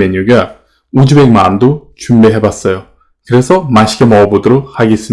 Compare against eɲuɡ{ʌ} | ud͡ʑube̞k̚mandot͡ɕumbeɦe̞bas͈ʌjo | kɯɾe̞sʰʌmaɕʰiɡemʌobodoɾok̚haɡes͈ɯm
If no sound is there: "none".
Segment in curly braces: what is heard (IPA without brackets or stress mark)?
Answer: a